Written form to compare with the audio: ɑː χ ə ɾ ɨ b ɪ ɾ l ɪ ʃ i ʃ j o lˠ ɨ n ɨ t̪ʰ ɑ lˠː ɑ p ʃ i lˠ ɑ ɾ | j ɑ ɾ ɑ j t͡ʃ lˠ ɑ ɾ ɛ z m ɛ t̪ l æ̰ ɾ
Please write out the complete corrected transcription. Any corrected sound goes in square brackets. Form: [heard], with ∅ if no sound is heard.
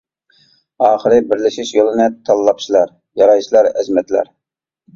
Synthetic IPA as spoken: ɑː χ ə ɾ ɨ b ɪ ɾ l ɪ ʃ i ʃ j o lˠ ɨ n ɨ t̪ʰ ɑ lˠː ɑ p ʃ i lˠ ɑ ɾ | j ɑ ɾ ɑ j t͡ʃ lˠ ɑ ɾ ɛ z m ɛ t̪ l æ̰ ɾ